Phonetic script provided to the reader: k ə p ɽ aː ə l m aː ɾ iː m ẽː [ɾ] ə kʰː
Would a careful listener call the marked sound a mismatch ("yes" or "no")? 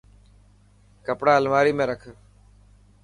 no